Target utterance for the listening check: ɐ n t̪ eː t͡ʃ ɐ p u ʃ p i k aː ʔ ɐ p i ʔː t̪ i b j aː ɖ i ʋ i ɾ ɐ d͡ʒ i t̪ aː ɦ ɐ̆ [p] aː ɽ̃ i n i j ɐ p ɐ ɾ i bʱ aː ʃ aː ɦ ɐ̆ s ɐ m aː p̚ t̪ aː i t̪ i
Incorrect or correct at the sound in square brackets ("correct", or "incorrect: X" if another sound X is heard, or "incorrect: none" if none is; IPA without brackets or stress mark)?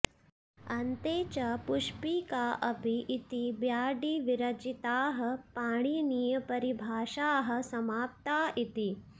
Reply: correct